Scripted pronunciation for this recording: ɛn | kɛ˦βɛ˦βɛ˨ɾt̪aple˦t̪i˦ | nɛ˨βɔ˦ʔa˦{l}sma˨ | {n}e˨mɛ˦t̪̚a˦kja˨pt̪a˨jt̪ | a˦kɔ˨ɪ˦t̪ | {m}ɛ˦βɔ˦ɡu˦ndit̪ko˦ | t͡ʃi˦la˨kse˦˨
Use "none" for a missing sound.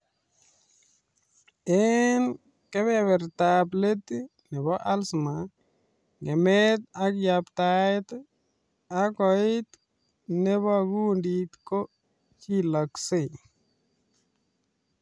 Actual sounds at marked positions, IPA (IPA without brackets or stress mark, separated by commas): l, ŋ, n